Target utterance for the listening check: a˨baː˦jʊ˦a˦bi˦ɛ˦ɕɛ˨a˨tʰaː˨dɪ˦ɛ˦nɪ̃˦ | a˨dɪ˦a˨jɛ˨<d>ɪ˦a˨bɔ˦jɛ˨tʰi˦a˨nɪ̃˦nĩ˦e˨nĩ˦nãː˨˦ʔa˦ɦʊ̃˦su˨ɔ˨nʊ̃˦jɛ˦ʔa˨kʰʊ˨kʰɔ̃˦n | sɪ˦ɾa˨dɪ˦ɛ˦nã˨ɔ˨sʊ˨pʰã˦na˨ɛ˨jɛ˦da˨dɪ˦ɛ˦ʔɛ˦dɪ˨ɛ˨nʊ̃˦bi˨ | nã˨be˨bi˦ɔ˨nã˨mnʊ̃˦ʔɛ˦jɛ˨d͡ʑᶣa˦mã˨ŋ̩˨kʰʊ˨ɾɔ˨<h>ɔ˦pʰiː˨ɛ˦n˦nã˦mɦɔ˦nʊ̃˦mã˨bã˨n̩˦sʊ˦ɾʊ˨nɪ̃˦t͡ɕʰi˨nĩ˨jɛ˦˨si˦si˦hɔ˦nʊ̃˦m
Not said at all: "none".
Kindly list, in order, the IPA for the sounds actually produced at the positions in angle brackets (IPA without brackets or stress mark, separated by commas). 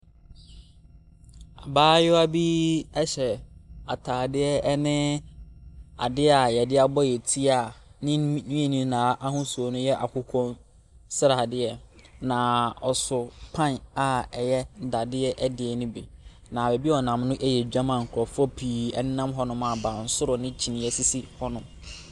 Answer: d, f